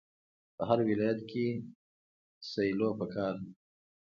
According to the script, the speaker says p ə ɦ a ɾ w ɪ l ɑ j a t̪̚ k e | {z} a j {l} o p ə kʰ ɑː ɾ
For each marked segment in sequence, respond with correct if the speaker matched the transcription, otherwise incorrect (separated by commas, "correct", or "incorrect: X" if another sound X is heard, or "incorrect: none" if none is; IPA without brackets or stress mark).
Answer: incorrect: s, correct